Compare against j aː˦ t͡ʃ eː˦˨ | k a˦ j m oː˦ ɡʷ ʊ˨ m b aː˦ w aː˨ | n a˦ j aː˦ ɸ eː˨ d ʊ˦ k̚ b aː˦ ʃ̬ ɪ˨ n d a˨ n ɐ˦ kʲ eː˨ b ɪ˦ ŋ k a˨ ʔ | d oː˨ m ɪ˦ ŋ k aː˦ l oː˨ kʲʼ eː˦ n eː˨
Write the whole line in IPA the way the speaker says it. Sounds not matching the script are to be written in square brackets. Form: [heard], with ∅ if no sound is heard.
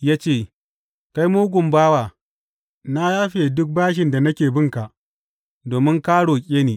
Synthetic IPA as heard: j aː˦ t͡ʃ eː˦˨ | k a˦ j m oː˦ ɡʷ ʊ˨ m b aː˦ w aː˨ | n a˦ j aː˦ ɸ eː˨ d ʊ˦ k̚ b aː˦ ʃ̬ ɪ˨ n d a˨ n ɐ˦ kʲ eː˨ b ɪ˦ ŋ k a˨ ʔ | d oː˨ m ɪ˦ ŋ k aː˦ [ɽ] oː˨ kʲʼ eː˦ n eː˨